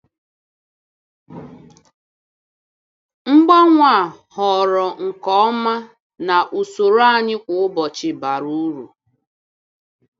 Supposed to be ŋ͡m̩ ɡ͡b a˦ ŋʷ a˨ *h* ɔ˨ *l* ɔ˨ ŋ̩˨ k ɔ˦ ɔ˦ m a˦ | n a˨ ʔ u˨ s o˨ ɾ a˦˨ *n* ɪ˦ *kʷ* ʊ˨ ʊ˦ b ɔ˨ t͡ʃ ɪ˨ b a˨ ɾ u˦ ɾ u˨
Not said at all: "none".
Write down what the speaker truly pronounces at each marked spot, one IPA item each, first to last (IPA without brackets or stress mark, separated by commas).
h, ɾ, ɲ, kʷ